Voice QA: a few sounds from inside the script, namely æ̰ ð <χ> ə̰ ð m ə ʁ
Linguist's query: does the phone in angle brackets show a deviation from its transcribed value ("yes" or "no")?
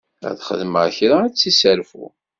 no